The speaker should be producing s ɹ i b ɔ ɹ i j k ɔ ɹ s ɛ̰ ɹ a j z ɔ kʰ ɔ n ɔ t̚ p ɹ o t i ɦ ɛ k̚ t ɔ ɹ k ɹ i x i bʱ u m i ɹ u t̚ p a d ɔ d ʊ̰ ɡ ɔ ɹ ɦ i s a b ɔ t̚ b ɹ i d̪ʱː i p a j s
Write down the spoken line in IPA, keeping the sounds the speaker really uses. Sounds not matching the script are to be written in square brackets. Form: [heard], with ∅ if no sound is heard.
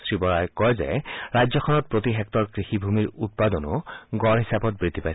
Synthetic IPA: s ɹ i b ɔ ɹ [a] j k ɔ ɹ [z] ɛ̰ ɹ a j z ɔ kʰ ɔ n ɔ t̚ p ɹ o t i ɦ ɛ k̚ t ɔ ɹ k ɹ i x i bʱ u m i ɹ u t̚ p a d ɔ [n] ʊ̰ ɡ ɔ ɹ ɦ i s a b ɔ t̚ b ɹ i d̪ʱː i p a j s